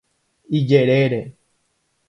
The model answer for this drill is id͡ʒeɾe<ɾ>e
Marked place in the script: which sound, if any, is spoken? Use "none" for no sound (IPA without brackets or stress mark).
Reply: ɾ